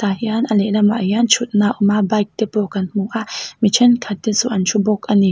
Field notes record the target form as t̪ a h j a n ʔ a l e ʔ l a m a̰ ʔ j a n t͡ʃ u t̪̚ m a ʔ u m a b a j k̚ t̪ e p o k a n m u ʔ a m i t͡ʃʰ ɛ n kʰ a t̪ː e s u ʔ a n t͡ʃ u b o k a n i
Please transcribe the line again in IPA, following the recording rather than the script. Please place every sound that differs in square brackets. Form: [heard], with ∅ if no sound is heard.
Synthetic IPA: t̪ a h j a n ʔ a l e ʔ l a m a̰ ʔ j a n t͡ʃ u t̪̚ [n] a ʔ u m a b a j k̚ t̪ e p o k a n m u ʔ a m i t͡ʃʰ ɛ n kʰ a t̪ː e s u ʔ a n t͡ʃ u b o k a n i